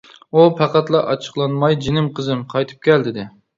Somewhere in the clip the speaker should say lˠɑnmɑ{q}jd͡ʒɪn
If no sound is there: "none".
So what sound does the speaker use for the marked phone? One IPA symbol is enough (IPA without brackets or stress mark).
none